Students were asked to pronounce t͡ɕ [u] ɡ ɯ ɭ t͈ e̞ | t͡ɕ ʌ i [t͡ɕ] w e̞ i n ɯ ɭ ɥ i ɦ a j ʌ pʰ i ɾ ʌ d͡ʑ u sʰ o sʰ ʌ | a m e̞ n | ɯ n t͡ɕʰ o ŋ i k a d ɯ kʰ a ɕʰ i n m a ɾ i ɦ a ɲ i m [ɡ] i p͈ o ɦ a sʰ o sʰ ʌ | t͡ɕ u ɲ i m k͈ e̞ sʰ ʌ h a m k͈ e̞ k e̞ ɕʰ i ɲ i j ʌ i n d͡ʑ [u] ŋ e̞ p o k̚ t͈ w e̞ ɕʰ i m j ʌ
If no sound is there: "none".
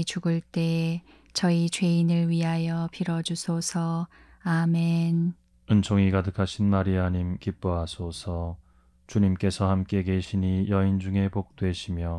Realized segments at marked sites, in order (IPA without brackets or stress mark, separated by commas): u, t͡ɕ, k, u